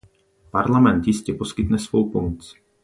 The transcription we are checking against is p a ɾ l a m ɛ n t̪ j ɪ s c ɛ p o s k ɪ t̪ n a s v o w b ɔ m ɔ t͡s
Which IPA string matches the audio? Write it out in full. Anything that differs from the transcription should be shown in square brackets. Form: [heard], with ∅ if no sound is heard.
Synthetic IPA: p a ɾ l a m ɛ n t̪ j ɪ s c ɛ p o s k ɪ t̪ n [ɛ] s v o w [p] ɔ m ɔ t͡s